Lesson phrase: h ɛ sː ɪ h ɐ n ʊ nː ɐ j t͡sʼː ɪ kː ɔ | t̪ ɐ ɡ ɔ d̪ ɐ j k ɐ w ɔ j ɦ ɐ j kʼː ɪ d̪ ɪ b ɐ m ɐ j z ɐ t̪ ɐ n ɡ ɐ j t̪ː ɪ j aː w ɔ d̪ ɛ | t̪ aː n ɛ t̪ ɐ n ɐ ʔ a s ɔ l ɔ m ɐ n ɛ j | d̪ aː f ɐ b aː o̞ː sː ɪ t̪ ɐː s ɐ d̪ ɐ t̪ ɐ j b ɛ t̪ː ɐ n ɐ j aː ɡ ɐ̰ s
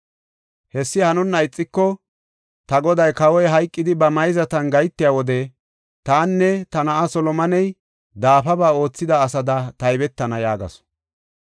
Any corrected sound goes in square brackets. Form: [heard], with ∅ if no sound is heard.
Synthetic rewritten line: h ɛ sː ɪ h ɐ n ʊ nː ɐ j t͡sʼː ɪ kː ɔ | t̪ ɐ ɡ ɔ d̪ ɐ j k ɐ w ɔ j ɦ ɐ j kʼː ɪ d̪ ɪ b ɐ m ɐ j z ɐ t̪ ɐ n ɡ ɐ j t̪ː ɪ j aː w ɔ d̪ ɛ | t̪ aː [nː] ɛ t̪ ɐ n ɐ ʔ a s ɔ l ɔ m ɐ n ɛ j | d̪ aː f ɐ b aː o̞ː [t͡sː] ɪ [d̪] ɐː s ɐ d̪ ɐ t̪ ɐ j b ɛ t̪ː ɐ n ɐ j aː ɡ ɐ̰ s